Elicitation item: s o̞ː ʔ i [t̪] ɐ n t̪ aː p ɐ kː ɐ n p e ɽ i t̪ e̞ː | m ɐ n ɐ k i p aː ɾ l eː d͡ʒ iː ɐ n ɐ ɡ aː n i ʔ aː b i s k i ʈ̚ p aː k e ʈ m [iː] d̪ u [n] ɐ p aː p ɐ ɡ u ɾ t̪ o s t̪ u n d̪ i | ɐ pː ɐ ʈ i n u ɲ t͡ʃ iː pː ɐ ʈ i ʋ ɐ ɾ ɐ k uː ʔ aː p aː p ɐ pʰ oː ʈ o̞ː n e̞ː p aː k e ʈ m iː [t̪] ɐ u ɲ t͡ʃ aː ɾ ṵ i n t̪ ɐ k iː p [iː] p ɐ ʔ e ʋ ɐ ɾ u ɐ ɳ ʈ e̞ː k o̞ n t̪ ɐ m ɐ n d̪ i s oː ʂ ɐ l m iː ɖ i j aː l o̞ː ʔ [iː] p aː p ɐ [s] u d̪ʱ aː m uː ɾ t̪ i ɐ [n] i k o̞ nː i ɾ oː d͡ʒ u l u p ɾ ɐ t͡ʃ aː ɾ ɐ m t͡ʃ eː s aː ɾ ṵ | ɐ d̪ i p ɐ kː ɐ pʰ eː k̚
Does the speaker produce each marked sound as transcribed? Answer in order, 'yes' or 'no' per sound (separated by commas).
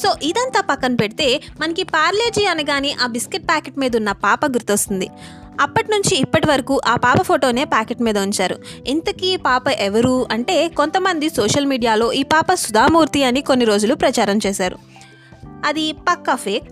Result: no, yes, no, no, no, yes, yes, yes